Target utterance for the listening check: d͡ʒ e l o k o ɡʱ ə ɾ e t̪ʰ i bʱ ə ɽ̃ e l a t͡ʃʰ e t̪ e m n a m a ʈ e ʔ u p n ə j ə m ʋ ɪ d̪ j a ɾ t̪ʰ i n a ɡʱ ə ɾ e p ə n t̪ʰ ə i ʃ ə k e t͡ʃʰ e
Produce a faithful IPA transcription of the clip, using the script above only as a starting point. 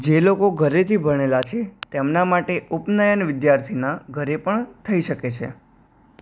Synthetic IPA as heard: d͡ʒ e l o k o ɡʱ ə ɾ e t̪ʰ i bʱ ə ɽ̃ e l a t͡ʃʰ e t̪ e m n a m a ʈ e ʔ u p n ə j ə n ʋ ɪ d̪ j a ɾ t̪ʰ i n a ɡʱ ə ɾ e p ə ɳ t̪ʰ ə i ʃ ə k e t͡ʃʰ e